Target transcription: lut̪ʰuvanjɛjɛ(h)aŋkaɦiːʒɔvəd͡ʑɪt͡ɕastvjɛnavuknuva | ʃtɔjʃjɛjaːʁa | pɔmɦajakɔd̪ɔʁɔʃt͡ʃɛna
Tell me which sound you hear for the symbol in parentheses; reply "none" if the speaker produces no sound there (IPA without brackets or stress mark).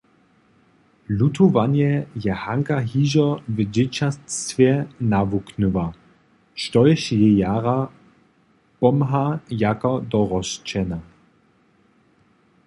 h